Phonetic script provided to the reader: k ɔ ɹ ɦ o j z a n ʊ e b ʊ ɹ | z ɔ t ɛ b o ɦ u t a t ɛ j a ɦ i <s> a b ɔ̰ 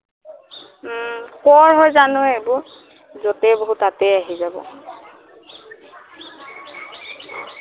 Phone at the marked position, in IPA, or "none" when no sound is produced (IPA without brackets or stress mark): z